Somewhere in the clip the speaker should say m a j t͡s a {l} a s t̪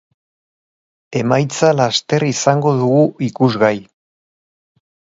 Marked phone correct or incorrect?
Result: correct